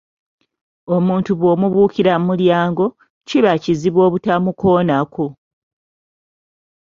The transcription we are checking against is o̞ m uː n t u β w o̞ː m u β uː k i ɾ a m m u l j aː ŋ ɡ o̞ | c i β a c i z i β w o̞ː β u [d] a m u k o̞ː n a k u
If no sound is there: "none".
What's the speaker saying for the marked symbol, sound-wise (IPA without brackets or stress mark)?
t